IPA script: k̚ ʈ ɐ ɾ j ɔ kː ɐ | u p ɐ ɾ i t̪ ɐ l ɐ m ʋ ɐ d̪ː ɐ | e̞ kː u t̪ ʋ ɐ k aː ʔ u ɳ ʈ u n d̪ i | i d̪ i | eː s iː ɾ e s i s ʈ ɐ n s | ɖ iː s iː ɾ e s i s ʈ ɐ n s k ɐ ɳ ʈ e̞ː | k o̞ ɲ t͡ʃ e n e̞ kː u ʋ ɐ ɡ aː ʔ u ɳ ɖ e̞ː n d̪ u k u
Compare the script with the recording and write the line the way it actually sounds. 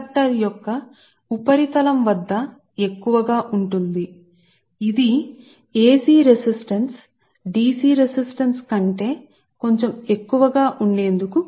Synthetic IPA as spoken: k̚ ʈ ɐ ɾ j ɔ kː ɐ | u p ɐ ɾ i t̪ ɐ l ɐ m ʋ ɐ d̪ː ɐ | e̞ kː u ʋ ɐ ɡ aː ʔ u ɳ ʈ u n d̪ i | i d̪ i | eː s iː ɾ e s i s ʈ ɐ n s | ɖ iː s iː ɾ e s i s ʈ ɐ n s k ɐ ɳ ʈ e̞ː | k o̞ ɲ t͡ʃ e m e̞ kː u ʋ ɐ ɡ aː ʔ u ɳ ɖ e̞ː n d̪ u k u